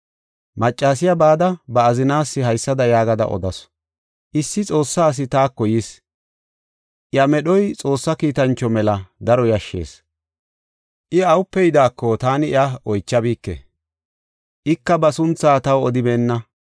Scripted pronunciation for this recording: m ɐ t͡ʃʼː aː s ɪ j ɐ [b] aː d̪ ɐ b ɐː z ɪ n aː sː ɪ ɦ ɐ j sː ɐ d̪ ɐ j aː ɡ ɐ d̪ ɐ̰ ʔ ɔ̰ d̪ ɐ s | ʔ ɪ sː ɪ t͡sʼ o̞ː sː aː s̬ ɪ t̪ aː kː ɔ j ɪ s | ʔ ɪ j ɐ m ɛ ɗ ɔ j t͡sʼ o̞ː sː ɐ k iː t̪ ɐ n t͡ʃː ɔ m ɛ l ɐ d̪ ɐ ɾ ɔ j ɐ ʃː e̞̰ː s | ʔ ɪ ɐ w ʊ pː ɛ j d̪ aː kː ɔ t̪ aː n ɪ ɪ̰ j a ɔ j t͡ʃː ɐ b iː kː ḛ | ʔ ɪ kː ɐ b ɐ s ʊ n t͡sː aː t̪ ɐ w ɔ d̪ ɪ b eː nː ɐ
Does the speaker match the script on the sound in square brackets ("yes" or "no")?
yes